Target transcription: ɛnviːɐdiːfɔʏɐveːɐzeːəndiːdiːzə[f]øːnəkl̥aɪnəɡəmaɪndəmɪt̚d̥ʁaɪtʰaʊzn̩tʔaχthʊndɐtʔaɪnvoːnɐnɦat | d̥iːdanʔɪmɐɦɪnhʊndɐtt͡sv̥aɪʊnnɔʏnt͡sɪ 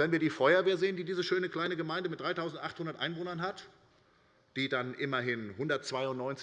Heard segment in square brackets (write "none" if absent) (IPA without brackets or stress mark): ʃ